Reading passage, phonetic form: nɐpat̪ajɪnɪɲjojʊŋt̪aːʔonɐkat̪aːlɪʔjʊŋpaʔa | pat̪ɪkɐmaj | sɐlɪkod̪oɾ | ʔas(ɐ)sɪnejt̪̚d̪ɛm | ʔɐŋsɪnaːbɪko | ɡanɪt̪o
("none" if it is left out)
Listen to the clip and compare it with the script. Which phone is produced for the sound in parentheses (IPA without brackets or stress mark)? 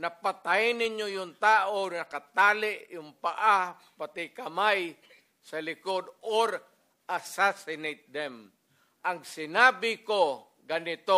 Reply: a